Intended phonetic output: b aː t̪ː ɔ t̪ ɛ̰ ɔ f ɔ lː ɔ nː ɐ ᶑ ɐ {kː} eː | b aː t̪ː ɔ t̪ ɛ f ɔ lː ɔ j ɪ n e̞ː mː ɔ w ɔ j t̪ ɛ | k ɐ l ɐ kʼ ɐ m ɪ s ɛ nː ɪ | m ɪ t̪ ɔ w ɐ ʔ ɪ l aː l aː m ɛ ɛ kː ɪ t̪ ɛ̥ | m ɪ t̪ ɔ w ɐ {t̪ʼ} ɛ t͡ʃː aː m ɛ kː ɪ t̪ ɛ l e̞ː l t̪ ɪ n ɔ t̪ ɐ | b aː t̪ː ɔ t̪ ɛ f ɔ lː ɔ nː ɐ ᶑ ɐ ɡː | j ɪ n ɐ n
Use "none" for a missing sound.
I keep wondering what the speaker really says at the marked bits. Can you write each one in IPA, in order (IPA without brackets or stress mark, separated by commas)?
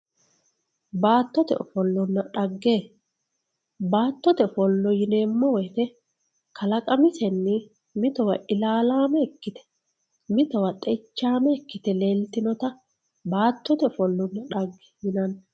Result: ɡː, t̪ʼ